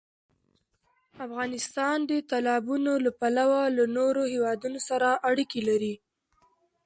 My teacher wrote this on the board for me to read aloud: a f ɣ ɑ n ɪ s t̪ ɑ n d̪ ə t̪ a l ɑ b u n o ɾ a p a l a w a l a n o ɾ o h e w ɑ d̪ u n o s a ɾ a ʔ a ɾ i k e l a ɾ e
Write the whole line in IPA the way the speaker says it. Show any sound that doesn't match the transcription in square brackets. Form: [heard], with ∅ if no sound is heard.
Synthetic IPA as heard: a f ɣ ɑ n ɪ s t̪ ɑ n d̪ ə t̪ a l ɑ b u n o [l] a p a l a w a l a n o ɾ o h e w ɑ d̪ u n o s a ɾ a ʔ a [ɽ] i k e l a ɾ [i]